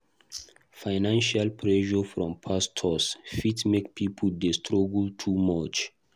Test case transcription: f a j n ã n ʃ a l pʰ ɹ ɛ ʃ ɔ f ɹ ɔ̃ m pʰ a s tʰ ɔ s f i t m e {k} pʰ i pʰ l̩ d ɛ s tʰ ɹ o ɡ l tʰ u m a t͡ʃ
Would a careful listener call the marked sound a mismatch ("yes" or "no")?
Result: no